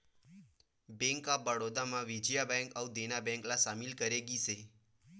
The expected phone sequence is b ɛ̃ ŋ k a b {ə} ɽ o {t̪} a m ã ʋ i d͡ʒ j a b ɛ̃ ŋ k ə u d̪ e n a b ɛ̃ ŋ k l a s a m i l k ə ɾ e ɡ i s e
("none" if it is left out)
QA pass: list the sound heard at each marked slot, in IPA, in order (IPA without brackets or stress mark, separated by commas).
ə, d̪